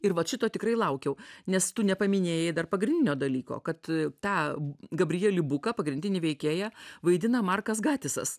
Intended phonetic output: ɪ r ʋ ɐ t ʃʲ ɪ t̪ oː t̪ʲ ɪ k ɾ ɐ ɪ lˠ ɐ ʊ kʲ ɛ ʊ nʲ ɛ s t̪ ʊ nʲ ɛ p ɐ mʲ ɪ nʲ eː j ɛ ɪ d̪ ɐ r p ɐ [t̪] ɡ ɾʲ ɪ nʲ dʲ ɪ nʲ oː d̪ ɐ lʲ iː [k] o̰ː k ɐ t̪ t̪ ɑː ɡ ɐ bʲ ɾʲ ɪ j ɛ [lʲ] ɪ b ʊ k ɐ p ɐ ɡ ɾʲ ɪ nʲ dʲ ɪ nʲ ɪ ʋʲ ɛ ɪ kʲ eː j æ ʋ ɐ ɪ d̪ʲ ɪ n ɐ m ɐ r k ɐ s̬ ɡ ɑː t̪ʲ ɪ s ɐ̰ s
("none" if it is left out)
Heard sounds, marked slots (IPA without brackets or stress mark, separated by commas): none, k, lʲ